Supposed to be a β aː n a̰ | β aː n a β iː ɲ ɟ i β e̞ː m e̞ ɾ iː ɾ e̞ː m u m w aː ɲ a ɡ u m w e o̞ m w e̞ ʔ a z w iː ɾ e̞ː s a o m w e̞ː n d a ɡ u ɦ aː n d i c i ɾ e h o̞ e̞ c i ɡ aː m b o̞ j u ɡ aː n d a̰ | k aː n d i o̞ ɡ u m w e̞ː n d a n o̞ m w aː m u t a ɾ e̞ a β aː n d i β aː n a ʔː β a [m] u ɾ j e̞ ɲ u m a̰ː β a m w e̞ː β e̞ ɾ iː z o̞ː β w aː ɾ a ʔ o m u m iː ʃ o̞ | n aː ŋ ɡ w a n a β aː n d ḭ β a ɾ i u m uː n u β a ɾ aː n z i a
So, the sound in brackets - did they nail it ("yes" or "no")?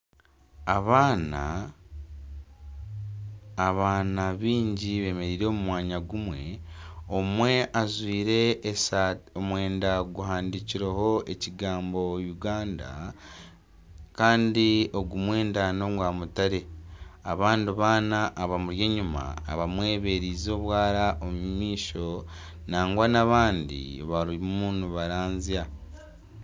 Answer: yes